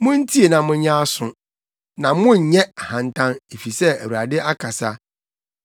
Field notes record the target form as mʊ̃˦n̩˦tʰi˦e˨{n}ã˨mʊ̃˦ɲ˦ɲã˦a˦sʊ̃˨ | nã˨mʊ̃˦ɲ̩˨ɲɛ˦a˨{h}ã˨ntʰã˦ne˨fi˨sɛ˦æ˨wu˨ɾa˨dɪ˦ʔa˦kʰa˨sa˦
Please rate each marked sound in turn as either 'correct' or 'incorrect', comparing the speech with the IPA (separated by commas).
correct, correct